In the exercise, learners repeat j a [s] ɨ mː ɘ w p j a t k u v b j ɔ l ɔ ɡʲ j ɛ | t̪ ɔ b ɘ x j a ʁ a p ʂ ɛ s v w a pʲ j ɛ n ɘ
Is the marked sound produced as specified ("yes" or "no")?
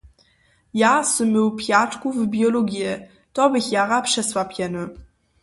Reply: yes